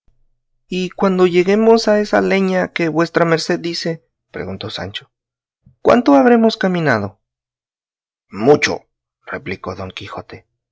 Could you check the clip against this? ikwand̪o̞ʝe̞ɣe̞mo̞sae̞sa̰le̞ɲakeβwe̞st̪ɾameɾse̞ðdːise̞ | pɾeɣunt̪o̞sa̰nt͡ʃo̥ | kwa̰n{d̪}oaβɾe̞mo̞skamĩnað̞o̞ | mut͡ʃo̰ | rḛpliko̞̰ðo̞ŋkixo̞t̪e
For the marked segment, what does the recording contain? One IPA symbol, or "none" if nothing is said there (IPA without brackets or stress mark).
t̪